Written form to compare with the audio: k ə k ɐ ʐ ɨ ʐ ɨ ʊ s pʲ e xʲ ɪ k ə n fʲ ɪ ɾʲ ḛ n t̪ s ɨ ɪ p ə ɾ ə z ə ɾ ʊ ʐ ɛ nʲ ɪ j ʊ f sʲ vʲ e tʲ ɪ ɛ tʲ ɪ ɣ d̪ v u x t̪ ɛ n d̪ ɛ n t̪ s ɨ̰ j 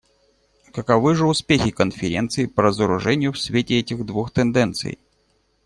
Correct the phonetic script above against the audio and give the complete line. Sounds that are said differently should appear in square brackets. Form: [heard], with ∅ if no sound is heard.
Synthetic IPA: k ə k ɐ [v] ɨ ʐ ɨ ʊ s pʲ e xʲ ɪ k ə n fʲ ɪ ɾʲ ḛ n t̪ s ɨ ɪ p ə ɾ ə z ə ɾ ʊ ʐ ɛ nʲ ɪ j ʊ f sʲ vʲ e tʲ ɪ ɛ tʲ ɪ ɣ d̪ v u x t̪ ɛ n d̪ ɛ n t̪ s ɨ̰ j

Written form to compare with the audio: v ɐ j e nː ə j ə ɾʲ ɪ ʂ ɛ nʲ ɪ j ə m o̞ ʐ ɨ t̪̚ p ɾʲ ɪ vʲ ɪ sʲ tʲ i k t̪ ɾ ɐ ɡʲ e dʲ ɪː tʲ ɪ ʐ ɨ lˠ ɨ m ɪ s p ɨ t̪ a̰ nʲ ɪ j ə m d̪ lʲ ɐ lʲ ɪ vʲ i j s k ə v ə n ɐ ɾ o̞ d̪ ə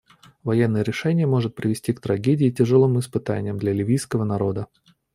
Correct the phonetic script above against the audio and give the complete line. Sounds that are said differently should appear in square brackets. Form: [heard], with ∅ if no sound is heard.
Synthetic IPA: v ɐ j e nː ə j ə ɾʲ ɪ ʂ ɛ nʲ ɪ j ə m o̞ ʐ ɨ t̪̚ p ɾʲ ɪ vʲ ɪ sʲ tʲ i k t̪ ɾ ɐ ɡʲ e dʲ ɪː tʲ ɪ ʐ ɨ lˠ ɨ m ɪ s p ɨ t̪ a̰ nʲ ɪ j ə m d̪ lʲ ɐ lʲ ɪ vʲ i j s k ə v ə n ɐ ɾ o̞ d̪ ə

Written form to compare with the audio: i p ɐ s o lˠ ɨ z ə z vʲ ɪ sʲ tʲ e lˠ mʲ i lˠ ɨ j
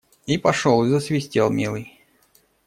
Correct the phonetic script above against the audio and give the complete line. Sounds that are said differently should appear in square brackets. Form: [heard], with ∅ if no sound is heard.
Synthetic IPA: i p ɐ [ʂ] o lˠ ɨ z ə [s] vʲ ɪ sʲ tʲ e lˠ mʲ i lˠ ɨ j

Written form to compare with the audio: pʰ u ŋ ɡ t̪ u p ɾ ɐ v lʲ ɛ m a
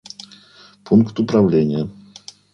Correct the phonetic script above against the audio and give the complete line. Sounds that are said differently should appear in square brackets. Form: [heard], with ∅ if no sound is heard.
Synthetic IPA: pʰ u ŋ [k] t̪ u p ɾ [a] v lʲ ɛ [ɲ] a

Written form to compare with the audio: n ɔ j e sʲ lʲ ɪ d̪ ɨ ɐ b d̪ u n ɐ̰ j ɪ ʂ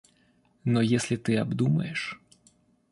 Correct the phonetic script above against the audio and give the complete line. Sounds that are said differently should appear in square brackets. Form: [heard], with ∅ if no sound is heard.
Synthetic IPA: n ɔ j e sʲ lʲ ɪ [t̪] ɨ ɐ b d̪ u [m] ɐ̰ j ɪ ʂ

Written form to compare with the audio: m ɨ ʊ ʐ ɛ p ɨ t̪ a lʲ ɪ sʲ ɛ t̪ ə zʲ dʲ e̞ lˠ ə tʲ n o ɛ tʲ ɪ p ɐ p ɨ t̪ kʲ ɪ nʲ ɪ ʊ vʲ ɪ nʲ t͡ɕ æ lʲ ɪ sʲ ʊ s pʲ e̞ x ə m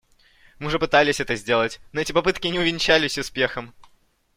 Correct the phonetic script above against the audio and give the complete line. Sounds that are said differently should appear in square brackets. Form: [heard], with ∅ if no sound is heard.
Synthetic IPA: m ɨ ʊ ʐ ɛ p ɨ t̪ a lʲ ɪ sʲ ɛ t̪ ə zʲ dʲ e̞ lˠ ə tʲ n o ɛ tʲ ɪ p ɐ p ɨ t̪ kʲ ɪ nʲ ɪ ʊ vʲ ɪ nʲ t͡ɕ æ lʲ ɪ sʲ ʊ s pʲ e̞ x ə m

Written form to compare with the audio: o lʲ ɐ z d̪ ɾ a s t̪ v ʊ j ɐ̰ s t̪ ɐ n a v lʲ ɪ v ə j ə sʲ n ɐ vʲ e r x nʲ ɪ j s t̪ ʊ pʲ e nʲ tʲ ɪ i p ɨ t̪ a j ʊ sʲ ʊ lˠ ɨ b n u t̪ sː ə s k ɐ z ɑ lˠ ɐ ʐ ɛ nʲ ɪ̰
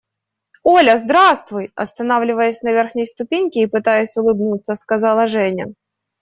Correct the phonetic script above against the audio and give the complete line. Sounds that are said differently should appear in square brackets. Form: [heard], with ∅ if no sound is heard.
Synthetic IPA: o lʲ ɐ z d̪ ɾ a s t̪ v ʊ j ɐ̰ s t̪ ɐ n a v lʲ ɪ v ə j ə sʲ n ɐ vʲ e r x nʲ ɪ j s t̪ ʊ pʲ e nʲ [kʲ] ɪ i p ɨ t̪ a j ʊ sʲ ʊ lˠ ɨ b n u t̪ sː ə s k ɐ z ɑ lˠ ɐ ʐ ɛ nʲ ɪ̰

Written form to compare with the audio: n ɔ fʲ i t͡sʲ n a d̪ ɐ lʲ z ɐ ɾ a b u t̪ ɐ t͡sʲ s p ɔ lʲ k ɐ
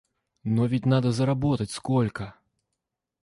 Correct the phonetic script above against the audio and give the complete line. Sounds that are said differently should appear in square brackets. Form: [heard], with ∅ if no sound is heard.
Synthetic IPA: n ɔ [vʲ] i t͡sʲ n a d̪ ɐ [∅] z ɐ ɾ a b [ɔ] t̪ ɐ t͡sʲ s [k] ɔ lʲ k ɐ

